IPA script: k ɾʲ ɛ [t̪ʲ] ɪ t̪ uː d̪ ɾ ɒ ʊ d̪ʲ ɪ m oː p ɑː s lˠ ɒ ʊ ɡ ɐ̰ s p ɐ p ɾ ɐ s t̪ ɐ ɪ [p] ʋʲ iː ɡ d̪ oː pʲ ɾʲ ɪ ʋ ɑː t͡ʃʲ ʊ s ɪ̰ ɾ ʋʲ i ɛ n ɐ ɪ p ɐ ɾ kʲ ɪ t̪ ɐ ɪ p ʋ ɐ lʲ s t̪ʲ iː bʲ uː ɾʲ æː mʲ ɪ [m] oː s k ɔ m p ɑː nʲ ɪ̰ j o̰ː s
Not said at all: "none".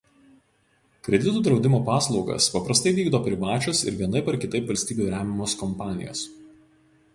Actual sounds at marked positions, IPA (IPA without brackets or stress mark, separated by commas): d̪ʲ, none, m